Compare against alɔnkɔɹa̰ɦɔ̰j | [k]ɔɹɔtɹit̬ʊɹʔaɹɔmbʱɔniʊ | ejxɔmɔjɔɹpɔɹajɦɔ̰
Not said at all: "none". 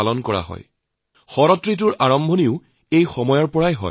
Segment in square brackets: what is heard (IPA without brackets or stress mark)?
x